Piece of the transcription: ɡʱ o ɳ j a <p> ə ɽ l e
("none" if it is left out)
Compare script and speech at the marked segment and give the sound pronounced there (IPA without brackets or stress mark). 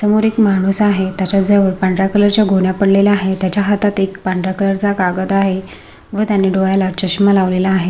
p